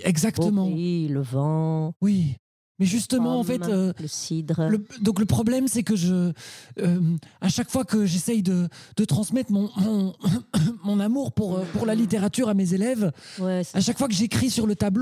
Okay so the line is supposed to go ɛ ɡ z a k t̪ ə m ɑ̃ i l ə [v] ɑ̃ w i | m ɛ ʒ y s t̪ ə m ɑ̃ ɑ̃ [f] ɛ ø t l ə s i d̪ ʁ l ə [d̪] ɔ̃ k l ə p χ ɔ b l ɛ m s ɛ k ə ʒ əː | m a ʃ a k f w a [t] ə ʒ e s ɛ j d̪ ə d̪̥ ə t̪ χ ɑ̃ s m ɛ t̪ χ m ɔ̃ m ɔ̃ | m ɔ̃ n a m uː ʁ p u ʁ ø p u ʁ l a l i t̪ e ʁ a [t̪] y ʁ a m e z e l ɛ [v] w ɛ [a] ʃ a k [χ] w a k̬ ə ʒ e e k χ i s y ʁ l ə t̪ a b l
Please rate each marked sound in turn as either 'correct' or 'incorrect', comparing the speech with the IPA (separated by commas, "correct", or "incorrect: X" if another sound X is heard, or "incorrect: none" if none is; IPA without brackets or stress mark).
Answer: correct, correct, correct, incorrect: k, correct, correct, correct, incorrect: f